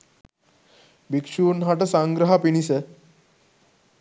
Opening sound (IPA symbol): b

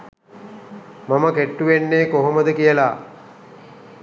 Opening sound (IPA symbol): m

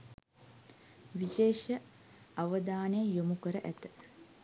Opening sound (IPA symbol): ʋ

